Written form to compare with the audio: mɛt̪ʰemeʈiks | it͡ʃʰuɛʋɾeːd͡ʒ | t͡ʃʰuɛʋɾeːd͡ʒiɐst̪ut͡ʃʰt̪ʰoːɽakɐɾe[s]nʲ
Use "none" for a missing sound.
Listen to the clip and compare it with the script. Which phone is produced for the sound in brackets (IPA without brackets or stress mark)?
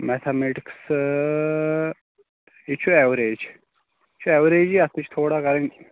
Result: none